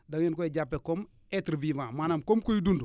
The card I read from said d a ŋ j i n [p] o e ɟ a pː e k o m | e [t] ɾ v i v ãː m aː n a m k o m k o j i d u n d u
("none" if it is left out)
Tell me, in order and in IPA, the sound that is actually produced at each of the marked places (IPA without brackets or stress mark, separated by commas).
k, t